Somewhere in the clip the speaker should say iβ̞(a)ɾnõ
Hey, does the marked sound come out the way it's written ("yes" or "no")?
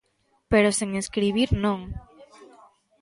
no